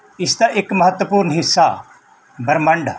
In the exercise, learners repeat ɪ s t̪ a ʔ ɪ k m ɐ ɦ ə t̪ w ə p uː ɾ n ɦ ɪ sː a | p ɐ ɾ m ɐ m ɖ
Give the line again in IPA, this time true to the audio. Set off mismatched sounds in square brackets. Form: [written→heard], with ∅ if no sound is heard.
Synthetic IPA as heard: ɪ s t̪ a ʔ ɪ k m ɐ ɦ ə t̪ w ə p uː ɾ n ɦ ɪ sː a | [p→b] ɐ ɾ m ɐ [m→ɳ] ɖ

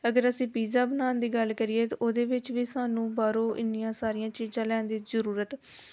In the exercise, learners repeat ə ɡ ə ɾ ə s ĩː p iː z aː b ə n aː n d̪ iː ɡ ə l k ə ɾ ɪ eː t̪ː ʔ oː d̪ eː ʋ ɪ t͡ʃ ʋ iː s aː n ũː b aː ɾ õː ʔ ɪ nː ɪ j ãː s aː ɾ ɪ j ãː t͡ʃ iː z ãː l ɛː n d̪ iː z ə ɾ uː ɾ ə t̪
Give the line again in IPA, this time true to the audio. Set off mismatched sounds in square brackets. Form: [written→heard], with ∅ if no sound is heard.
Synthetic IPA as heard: ə ɡ ə ɾ ə s ĩː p iː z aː b ə n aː n d̪ iː ɡ ə l k ə ɾ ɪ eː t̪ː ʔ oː d̪ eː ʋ ɪ t͡ʃ ʋ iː s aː n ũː b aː ɾ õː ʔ ɪ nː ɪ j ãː s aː ɾ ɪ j ãː t͡ʃ iː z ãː l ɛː n d̪ iː z ə ɾ uː ɾ ə t̪

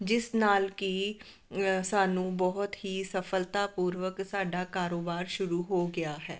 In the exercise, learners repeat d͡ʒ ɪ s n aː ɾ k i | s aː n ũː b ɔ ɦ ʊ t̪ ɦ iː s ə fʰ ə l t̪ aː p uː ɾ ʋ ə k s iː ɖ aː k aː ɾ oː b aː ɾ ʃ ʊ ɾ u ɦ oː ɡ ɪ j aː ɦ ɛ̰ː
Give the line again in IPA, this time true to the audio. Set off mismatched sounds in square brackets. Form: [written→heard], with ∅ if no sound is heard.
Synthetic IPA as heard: d͡ʒ ɪ s n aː [ɾ→l] k i | s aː n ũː b ɔ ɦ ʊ t̪ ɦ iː s ə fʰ ə l t̪ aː p uː ɾ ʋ ə k s [iː→aː] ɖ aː k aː ɾ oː b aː ɾ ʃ ʊ ɾ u ɦ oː ɡ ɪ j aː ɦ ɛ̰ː

